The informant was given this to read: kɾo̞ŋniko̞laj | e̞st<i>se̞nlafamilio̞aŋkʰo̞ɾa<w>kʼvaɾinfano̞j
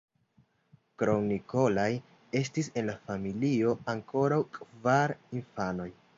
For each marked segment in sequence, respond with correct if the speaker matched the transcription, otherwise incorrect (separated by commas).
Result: correct, correct